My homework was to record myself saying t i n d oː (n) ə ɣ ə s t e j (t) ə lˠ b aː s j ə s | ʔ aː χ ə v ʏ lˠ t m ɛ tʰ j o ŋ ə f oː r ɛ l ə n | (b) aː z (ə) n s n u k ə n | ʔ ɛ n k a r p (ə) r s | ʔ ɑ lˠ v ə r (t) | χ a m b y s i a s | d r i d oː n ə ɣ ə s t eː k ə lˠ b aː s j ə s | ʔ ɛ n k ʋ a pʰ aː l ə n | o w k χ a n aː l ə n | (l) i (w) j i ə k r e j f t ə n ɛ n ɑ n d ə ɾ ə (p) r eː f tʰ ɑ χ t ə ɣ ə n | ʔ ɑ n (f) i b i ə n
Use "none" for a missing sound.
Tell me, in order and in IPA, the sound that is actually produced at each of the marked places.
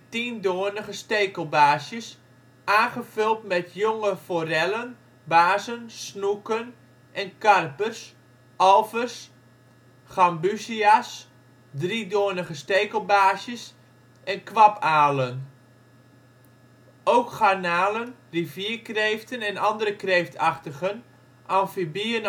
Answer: n, k, b, ə, ə, s, r, v, k, f

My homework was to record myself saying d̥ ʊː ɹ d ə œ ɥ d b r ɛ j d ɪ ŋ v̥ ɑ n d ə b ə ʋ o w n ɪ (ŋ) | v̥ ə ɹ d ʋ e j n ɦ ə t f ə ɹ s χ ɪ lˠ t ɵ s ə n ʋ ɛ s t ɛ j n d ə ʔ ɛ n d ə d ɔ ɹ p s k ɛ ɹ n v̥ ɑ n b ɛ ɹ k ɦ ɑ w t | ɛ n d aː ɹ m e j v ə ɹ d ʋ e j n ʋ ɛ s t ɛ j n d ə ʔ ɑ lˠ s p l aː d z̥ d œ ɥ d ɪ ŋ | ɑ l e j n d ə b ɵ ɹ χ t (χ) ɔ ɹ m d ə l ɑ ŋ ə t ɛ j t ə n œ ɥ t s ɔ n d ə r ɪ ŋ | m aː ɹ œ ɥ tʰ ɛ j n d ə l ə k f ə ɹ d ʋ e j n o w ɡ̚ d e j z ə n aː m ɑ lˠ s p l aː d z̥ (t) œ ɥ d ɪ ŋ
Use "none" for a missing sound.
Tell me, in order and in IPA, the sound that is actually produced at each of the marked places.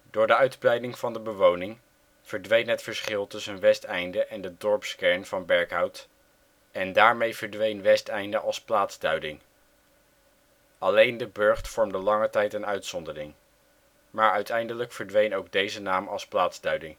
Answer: ŋ, f, d

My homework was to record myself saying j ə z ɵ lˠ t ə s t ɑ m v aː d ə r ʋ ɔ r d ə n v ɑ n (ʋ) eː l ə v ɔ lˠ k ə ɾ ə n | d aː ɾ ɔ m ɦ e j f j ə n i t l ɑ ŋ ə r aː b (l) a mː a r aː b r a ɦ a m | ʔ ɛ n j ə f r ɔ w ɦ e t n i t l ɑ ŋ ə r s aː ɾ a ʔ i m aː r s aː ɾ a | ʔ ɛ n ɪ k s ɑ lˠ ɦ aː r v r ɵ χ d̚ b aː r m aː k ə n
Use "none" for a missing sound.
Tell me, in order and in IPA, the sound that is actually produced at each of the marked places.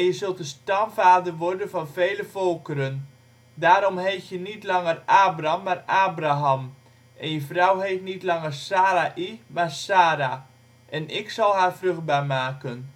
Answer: v, r

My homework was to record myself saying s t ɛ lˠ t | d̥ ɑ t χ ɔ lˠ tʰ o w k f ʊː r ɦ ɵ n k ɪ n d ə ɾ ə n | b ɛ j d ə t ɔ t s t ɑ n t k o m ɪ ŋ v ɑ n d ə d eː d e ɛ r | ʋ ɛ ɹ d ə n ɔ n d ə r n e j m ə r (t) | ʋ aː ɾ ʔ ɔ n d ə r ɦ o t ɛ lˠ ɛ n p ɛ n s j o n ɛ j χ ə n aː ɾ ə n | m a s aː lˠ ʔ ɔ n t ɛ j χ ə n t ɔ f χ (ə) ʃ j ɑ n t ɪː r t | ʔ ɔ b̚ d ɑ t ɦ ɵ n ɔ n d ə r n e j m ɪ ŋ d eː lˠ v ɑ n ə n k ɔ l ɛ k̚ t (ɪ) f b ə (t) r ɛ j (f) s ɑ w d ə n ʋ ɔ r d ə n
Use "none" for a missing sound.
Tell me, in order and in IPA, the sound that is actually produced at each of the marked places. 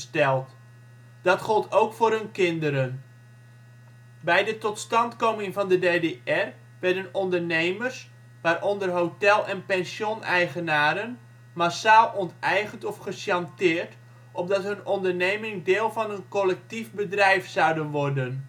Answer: s, ə, i, d, f

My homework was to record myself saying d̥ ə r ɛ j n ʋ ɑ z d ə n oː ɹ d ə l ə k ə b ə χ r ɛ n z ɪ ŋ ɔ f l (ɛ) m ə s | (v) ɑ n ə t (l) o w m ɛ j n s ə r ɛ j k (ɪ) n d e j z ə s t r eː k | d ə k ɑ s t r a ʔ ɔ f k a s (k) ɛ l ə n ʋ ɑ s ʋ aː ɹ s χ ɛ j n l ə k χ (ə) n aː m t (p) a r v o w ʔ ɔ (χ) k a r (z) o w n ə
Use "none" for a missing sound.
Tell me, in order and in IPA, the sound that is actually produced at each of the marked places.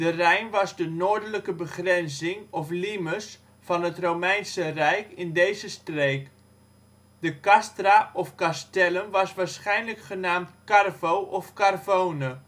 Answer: i, f, r, ɪ, t, ə, k, f, v

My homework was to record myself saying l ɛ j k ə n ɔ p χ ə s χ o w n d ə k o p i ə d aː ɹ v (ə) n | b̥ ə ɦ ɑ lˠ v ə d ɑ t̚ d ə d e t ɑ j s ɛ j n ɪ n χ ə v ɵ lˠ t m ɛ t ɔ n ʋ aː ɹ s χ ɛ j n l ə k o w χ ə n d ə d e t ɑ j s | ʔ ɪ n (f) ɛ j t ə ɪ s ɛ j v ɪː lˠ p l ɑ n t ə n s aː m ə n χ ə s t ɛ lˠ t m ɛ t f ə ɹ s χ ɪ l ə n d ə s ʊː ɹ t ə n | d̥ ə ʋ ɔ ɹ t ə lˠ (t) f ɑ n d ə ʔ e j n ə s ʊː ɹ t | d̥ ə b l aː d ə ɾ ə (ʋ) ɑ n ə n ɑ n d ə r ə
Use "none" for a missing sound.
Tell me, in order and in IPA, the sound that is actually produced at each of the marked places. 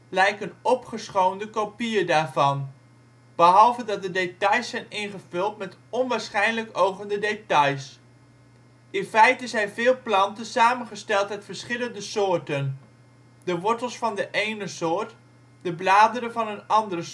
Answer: ɑ, f, s, v

